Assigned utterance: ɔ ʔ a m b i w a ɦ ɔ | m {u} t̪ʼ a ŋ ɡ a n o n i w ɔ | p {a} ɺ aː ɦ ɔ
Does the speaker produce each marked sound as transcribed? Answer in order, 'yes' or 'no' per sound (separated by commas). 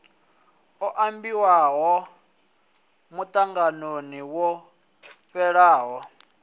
yes, no